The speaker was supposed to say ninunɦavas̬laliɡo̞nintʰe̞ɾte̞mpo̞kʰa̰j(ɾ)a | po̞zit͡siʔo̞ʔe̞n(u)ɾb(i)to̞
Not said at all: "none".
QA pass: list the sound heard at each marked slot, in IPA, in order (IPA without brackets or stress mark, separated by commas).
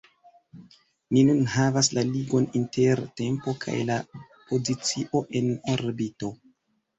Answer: l, o, i